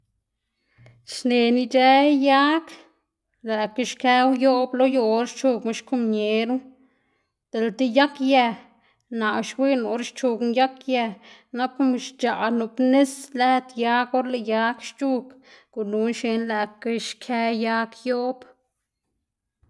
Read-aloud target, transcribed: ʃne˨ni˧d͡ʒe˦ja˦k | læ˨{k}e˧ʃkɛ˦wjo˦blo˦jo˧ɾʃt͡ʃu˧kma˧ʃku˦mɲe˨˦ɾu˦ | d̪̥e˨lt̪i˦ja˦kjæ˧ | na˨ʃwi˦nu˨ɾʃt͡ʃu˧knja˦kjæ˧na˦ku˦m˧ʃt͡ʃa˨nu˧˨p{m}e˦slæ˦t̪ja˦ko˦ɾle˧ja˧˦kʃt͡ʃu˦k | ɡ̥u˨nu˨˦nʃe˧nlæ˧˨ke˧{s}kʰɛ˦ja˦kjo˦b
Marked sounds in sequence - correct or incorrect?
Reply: correct, incorrect, incorrect

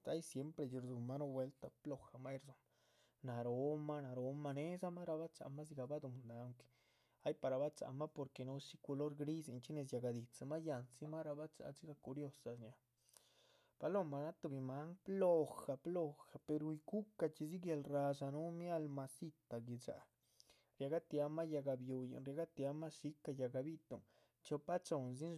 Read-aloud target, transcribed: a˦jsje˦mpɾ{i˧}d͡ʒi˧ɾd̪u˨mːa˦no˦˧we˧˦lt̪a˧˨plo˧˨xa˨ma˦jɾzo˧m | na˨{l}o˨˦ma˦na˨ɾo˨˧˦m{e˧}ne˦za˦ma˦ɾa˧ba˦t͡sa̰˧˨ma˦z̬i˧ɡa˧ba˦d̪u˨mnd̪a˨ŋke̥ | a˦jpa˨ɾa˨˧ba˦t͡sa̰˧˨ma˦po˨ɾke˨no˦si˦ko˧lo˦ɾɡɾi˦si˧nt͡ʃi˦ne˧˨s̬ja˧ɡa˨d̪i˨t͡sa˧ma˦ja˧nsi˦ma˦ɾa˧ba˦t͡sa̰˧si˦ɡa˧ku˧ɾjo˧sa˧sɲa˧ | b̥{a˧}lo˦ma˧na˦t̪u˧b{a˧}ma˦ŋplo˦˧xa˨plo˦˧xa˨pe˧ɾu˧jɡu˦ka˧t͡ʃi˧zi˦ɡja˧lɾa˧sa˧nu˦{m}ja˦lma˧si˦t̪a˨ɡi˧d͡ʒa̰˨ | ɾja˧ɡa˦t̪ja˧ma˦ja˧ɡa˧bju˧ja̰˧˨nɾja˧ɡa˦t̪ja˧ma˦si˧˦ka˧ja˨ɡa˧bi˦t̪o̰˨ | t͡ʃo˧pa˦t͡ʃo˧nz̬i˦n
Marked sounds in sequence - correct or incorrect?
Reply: incorrect, incorrect, incorrect, correct, incorrect, correct

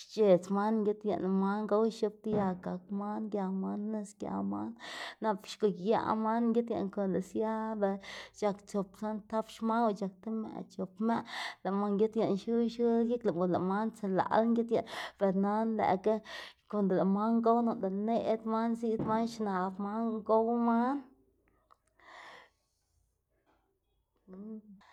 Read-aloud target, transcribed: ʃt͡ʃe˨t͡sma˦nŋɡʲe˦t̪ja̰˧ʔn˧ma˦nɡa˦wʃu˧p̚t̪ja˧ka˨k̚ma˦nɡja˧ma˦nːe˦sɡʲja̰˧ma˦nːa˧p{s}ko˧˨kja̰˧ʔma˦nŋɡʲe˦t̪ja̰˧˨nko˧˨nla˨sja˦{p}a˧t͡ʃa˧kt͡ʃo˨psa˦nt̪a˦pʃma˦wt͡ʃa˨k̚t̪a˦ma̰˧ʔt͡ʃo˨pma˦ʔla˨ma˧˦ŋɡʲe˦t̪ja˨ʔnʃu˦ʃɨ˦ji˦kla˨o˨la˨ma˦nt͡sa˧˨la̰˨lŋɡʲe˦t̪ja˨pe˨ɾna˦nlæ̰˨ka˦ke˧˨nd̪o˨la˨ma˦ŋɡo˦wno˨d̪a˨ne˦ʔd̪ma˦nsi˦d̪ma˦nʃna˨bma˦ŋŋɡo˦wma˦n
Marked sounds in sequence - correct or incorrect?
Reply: incorrect, incorrect

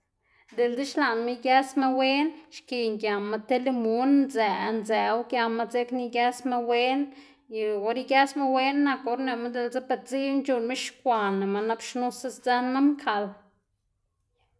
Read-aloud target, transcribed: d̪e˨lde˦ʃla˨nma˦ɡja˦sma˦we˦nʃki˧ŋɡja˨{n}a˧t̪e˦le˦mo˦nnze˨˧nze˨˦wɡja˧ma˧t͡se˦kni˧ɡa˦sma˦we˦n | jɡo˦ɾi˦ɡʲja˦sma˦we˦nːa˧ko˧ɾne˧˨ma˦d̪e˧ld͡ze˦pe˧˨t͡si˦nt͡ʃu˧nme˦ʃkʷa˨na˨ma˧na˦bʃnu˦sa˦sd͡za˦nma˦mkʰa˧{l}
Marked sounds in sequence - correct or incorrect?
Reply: incorrect, correct

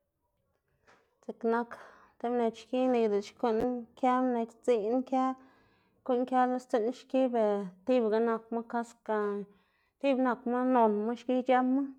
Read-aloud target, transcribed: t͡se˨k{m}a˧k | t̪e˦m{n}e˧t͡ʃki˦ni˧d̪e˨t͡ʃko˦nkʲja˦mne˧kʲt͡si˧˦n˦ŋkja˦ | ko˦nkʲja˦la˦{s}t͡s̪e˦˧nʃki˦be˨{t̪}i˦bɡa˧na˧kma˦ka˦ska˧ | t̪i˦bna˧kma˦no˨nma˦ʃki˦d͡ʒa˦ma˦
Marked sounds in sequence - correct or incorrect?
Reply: incorrect, correct, correct, correct

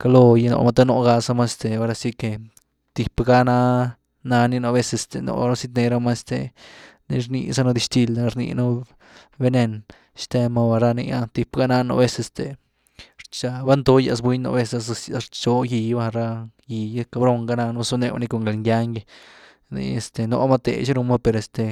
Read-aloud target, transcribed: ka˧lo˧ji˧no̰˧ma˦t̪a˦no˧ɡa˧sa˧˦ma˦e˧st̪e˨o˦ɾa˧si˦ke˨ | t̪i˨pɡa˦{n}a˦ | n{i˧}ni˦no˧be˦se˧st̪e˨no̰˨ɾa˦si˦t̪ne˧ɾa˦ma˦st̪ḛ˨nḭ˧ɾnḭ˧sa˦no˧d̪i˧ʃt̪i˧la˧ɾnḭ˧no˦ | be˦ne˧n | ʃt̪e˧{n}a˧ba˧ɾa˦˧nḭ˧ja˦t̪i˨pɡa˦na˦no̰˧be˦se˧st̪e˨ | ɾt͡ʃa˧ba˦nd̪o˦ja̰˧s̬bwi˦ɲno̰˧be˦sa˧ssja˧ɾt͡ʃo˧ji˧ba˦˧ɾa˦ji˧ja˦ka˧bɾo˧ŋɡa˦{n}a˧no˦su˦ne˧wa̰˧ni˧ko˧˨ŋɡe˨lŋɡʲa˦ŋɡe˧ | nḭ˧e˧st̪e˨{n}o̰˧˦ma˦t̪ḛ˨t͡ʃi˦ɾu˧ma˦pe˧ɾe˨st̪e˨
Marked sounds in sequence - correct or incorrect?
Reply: correct, incorrect, incorrect, correct, correct

